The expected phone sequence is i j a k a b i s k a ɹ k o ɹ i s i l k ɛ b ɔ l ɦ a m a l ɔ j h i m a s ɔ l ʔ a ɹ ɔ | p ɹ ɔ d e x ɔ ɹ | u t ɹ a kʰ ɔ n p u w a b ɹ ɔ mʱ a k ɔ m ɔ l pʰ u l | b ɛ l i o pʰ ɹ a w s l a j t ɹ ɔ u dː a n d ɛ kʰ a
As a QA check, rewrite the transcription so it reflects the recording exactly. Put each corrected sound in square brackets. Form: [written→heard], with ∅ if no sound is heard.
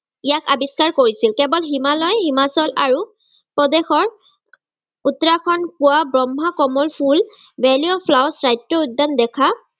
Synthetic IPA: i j a k a b i s k a ɹ k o ɹ i s i l k ɛ b ɔ l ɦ [a→i] m a l ɔ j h i m a s ɔ l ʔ a ɹ [ɔ→u] | p ɹ ɔ d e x ɔ ɹ | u t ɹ a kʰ ɔ n p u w a b ɹ ɔ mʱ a k ɔ m ɔ l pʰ u l | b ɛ l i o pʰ [ɹ→l] a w s [l→ɹ] a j t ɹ ɔ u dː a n d ɛ kʰ a